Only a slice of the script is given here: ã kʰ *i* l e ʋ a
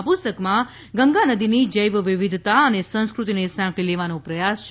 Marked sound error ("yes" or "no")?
no